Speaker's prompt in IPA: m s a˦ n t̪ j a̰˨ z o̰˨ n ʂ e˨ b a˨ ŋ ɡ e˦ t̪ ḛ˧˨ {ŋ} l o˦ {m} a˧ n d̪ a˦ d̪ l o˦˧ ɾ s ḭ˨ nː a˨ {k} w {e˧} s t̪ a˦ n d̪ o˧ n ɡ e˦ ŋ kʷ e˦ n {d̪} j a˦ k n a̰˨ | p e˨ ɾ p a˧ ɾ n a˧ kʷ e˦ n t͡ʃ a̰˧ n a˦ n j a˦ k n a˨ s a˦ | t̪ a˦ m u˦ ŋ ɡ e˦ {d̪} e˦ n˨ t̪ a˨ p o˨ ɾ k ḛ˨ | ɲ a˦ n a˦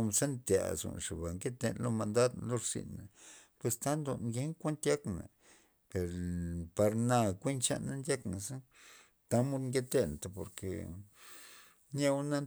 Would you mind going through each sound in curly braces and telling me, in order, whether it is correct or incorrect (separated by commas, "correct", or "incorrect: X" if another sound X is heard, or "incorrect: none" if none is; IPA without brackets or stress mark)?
incorrect: n, correct, incorrect: p, correct, incorrect: t̪, incorrect: t̪